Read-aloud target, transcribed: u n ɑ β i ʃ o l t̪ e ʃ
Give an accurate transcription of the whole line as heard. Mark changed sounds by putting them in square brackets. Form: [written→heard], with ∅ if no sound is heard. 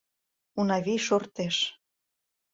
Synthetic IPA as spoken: u n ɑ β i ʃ o [l→r] t̪ e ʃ